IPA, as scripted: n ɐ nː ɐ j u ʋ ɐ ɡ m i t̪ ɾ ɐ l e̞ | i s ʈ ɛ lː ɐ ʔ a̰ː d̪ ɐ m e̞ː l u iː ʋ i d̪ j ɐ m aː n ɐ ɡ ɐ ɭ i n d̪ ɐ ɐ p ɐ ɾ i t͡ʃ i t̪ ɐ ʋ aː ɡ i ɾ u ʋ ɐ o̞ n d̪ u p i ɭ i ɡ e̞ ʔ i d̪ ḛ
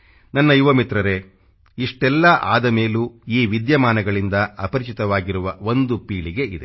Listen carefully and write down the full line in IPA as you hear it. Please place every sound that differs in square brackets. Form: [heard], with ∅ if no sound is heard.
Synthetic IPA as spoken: n ɐ nː ɐ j u ʋ ɐ [∅] m i t̪ ɾ ɐ [ɾ] e̞ | i [ʂ] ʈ ɛ lː ɐ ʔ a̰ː d̪ ɐ m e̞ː l u iː ʋ i d̪ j ɐ m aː n ɐ ɡ ɐ ɭ i n d̪ ɐ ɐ p ɐ ɾ i t͡ʃ i t̪ ɐ ʋ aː ɡ i ɾ u ʋ ɐ o̞ n d̪ u p [iː] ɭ i ɡ e̞ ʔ i d̪ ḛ